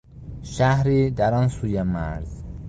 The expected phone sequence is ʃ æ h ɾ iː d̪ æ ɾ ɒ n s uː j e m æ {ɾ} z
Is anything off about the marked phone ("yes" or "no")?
no